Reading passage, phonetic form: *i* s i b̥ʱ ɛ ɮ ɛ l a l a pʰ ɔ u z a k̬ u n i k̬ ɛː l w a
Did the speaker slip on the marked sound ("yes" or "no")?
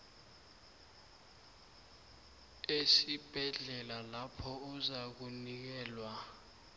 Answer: yes